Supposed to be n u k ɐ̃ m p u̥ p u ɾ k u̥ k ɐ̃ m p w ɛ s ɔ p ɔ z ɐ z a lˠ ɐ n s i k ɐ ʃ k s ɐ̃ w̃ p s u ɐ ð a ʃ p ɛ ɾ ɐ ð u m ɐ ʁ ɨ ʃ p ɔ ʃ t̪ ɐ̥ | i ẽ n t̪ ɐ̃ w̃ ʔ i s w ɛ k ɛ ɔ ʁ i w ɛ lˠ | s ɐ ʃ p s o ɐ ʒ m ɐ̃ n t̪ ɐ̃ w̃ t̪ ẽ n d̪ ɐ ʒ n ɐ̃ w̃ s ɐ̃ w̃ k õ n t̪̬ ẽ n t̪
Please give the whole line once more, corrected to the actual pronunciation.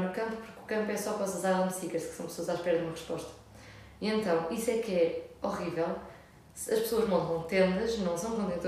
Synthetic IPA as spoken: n u k ɐ̃ m p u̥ p u ɾ k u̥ k ɐ̃ m p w ɛ s ɔ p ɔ z ɐ z a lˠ ɐ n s i k ɐ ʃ k s ɐ̃ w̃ p s o ɐ z a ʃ p ɛ ɾ ɐ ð u m ɐ ʁ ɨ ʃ p ɔ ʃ t̪ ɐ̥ | i ẽ n t̪ ɐ̃ w̃ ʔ i s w ɛ k ɛ ɔ ʁ i v ɛ lˠ | s ɐ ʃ p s o ɐ ʒ m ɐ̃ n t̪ ɐ̃ w̃ t̪ ẽ n d̪ ɐ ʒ n ɐ̃ w̃ s ɐ̃ w̃ k õ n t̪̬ ẽ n t̪